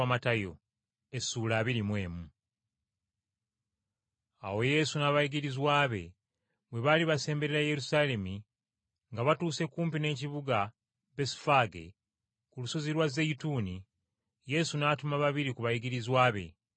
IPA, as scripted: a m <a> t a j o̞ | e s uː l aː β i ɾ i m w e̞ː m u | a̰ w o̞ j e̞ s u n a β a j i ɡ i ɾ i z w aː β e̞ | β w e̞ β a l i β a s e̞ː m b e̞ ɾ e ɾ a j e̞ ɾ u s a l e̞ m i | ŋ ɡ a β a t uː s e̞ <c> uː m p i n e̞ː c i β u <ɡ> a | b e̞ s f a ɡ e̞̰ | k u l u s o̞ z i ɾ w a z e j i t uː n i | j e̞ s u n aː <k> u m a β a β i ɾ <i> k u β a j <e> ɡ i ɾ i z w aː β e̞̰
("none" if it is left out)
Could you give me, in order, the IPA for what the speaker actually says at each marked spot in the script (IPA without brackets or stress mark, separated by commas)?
a, k, ɡ, t, i, i